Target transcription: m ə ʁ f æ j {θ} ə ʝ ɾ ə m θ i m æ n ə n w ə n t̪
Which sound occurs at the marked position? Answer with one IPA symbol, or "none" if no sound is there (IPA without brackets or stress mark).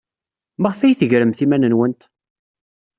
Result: θ